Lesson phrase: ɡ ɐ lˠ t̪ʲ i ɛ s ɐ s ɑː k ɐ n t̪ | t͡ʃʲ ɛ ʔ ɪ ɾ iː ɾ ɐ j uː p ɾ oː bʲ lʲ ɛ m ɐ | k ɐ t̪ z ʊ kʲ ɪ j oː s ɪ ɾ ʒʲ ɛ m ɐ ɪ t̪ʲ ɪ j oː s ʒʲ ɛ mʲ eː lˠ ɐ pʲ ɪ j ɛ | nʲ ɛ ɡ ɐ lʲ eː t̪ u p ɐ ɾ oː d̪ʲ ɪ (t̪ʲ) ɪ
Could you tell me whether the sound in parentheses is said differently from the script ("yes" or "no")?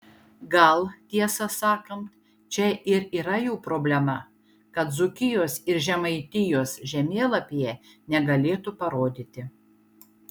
no